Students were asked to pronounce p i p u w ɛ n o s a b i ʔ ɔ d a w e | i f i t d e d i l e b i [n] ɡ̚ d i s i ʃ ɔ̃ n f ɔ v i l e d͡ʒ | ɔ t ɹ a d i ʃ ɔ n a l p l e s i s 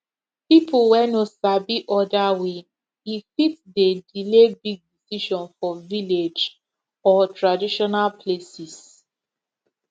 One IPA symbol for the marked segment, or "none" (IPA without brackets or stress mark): none